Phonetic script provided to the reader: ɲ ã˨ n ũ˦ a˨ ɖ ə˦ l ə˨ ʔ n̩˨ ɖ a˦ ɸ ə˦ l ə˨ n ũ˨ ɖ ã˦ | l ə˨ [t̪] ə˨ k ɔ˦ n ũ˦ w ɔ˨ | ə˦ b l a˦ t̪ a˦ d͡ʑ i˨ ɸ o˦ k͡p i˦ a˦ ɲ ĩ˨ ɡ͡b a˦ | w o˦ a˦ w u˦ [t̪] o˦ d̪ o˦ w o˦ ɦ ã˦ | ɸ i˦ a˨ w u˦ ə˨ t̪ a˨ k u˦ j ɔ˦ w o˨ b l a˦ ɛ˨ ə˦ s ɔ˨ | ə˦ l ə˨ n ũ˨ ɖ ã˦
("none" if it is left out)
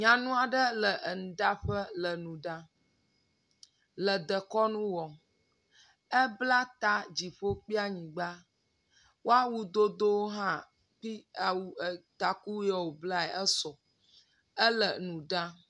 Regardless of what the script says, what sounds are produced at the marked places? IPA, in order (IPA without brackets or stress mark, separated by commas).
d̪, d̪